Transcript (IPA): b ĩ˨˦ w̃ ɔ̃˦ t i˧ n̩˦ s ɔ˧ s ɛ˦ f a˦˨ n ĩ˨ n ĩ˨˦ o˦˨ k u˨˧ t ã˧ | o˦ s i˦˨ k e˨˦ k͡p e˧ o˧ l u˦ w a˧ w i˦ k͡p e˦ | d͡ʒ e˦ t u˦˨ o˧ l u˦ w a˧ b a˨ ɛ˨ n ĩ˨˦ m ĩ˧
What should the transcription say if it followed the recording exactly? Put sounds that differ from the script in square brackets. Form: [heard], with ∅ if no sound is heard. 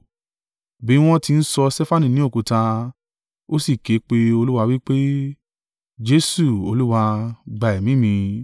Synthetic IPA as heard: b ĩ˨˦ w̃ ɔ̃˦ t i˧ n̩˦ s ɔ˧ s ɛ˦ f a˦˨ n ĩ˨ n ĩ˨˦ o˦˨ k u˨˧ t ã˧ | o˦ s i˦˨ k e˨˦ k͡p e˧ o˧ l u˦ w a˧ w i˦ k͡p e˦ | d͡ʒ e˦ [s] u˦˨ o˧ l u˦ w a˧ [ɡ͡b] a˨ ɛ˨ [m] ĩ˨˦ m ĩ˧